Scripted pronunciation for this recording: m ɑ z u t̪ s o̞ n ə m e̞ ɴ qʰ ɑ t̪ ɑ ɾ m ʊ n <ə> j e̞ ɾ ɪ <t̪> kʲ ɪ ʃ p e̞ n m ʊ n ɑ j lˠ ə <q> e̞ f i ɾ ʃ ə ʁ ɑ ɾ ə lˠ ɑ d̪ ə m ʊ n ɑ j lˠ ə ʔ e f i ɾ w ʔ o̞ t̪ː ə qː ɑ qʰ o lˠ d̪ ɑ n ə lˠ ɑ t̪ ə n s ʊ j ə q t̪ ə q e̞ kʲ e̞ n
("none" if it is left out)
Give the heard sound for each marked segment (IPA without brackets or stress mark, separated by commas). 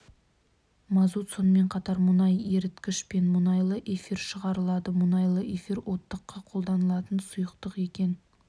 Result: ɑ, t̪, ʔ